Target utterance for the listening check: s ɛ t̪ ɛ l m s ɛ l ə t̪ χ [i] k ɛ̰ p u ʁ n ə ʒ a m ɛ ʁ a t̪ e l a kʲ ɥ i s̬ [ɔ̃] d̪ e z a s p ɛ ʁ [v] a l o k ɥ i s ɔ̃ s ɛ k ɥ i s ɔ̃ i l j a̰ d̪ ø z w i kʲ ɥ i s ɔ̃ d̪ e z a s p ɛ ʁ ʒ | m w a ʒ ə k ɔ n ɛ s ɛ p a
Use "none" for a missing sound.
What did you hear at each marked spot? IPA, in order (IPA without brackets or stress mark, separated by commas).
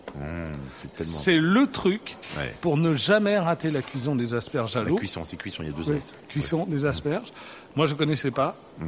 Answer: y, ɔ̃, ʒ